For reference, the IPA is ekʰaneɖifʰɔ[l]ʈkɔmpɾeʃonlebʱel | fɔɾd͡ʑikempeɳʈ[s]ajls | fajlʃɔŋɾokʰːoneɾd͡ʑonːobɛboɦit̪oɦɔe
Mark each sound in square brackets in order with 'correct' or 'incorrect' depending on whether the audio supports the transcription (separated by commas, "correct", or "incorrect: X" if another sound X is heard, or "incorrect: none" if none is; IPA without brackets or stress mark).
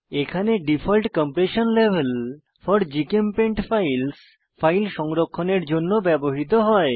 correct, incorrect: f